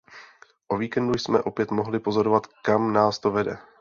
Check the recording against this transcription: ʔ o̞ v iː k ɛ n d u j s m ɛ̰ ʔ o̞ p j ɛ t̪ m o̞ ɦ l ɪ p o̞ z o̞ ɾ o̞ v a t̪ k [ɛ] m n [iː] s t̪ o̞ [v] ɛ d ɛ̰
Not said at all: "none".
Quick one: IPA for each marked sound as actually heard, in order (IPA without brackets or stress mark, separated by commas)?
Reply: a, aː, v